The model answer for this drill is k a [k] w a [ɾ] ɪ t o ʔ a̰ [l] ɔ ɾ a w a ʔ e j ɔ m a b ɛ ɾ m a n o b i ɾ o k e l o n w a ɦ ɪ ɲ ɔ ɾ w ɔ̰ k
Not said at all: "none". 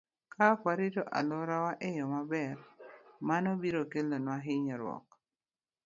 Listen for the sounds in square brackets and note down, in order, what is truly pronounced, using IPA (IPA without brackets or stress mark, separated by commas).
k, ɾ, l